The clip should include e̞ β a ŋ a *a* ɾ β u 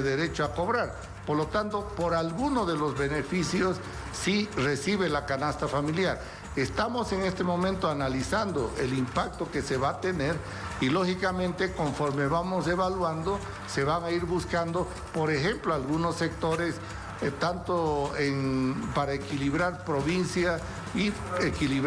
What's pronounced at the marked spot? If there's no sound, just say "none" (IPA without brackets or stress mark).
i